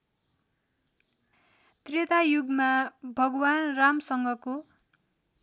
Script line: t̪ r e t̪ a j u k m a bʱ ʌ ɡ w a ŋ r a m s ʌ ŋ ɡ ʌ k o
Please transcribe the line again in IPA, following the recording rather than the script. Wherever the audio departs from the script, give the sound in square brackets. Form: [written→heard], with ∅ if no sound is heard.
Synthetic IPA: t̪ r e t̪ a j u [k→ɡ] m a bʱ ʌ ɡ w a [ŋ→n] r a m s ʌ ŋ ɡ ʌ k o